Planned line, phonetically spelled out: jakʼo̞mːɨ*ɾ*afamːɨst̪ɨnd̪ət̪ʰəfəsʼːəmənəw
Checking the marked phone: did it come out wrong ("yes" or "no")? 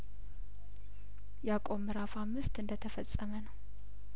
no